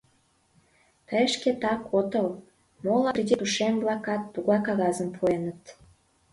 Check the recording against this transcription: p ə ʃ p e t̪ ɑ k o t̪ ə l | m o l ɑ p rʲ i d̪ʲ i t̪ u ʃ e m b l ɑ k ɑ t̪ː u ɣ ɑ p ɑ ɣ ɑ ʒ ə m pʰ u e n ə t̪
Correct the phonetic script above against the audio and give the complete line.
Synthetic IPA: p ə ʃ k e t̪ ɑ k o t̪ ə l | m o l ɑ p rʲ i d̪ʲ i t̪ u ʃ e m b l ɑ k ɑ t̪ː u ɣ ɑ k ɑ ɣ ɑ z ə m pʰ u e n ə t̪